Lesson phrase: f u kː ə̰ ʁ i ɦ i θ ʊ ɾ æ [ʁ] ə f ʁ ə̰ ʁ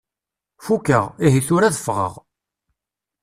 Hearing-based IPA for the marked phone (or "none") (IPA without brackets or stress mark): ð